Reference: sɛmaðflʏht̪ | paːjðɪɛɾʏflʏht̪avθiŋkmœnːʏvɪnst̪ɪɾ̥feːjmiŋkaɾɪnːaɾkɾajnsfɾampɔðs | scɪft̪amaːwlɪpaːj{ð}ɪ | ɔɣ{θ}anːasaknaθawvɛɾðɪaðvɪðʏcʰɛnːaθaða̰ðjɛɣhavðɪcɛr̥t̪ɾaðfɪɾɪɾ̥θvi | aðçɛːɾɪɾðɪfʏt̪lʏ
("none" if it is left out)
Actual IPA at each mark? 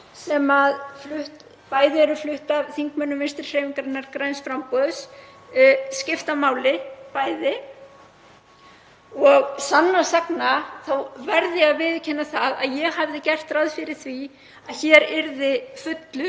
ð, s

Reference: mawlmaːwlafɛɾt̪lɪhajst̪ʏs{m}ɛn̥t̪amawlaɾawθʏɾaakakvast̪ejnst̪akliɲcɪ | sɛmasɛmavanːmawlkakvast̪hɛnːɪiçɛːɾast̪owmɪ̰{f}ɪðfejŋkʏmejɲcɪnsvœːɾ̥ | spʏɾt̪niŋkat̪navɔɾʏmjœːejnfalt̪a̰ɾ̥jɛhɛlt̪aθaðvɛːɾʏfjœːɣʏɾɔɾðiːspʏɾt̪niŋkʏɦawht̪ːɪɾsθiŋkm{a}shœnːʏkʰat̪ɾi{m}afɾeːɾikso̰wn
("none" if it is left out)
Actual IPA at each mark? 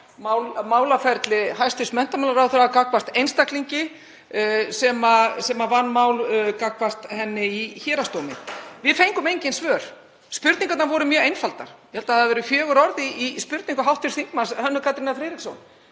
m, v, a, n

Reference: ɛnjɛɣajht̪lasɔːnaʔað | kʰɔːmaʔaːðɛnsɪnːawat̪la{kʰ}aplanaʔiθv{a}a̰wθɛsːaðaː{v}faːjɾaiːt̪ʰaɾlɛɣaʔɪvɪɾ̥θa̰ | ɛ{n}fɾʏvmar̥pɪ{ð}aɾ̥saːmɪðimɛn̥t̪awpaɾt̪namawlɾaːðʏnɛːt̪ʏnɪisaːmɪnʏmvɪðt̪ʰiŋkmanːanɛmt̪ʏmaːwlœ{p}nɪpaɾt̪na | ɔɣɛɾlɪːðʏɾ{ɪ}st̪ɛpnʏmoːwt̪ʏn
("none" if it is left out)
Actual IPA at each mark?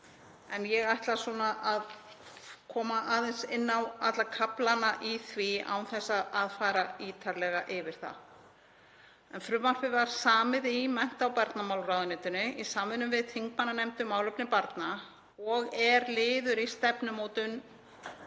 kʰ, i, ð, n, v, p, i

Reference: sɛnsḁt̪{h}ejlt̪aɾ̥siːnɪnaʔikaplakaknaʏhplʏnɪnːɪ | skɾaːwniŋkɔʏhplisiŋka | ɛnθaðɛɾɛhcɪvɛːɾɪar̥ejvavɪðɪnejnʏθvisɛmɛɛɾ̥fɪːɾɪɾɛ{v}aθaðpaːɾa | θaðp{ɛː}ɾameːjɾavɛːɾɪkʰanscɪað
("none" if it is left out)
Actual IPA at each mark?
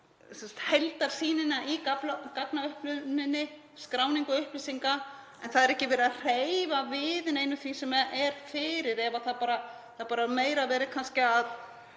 h, v, aː

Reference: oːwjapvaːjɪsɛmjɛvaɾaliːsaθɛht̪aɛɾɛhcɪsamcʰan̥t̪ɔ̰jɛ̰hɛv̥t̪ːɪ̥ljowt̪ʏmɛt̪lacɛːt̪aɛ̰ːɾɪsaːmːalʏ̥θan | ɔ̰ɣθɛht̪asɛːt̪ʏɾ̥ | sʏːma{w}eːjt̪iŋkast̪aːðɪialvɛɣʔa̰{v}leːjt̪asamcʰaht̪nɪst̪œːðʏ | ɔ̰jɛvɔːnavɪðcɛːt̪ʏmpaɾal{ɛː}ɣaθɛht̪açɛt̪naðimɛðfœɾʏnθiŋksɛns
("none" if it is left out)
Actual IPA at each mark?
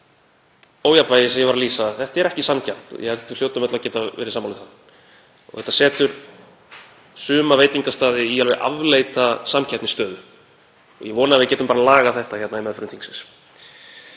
v, v, aː

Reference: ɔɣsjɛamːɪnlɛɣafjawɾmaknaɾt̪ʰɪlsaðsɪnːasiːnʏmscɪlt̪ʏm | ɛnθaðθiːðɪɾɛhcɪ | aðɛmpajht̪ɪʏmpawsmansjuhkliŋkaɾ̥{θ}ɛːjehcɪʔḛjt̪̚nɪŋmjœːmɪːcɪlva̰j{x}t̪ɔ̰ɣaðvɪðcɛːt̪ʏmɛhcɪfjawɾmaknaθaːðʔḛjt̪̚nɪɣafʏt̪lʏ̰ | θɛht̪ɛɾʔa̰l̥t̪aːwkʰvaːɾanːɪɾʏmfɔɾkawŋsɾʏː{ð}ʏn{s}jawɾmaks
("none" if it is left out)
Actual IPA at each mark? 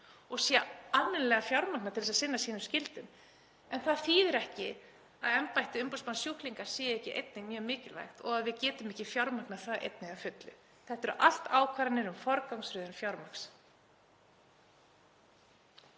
s, x, ð, f

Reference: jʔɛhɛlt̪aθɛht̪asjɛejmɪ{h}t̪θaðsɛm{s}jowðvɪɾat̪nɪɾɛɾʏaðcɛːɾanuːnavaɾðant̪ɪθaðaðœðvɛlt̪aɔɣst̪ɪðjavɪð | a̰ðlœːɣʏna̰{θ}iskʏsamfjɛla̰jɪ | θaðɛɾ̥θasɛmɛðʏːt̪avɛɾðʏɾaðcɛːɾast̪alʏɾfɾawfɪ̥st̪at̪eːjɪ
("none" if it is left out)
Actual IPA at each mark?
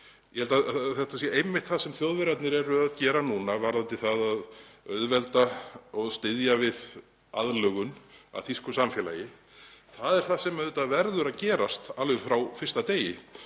h, θ, θ

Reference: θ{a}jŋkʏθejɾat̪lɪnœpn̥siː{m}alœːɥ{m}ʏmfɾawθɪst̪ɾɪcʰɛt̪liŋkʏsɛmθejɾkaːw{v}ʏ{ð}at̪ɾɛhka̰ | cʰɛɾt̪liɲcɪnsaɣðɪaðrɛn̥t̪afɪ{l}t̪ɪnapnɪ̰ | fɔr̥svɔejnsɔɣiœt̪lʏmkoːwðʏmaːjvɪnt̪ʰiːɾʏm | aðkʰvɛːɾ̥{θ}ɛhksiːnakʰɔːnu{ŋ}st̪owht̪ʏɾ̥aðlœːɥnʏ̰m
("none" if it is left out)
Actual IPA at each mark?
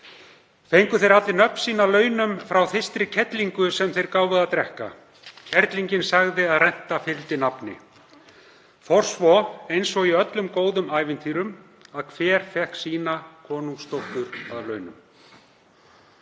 e, n, n, v, ð, l, f, ŋ

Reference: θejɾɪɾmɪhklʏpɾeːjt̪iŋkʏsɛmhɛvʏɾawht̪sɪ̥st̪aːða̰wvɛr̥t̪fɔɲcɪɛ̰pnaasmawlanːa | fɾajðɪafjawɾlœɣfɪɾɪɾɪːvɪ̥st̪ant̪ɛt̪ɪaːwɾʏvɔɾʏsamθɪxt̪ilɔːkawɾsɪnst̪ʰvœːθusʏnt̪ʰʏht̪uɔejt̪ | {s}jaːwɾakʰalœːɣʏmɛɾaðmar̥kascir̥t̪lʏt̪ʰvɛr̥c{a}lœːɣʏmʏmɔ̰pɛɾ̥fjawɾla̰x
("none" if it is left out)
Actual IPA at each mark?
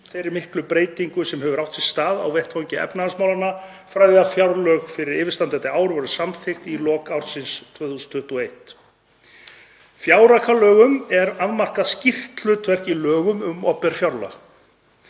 f, i

